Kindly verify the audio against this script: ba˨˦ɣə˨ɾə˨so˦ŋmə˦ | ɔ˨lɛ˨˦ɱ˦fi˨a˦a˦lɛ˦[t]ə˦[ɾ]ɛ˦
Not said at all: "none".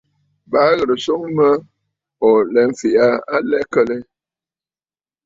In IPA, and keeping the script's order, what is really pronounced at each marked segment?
k, l

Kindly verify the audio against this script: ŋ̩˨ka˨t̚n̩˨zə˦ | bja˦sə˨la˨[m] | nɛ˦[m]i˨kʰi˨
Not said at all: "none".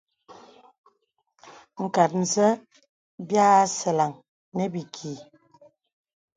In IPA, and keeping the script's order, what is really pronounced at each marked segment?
ŋ, b

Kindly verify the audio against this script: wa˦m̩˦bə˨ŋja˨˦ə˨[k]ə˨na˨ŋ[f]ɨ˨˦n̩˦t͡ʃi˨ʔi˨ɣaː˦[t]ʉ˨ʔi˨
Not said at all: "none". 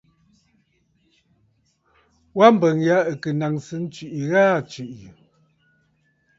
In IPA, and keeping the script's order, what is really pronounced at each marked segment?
k, s, t͡ʃ

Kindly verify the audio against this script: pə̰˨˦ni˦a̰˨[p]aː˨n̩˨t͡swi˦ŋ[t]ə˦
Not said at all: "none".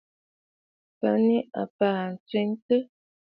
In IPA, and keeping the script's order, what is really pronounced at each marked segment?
p, t

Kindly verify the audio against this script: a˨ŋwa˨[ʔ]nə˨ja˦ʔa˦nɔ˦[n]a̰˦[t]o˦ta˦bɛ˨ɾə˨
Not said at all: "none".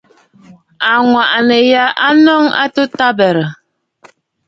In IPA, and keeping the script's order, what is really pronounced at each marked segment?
ʔ, ŋ, t

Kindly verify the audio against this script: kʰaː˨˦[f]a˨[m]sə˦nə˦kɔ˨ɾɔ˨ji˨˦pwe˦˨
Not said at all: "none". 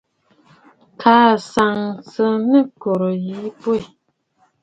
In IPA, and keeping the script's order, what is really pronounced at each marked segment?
s, ŋ

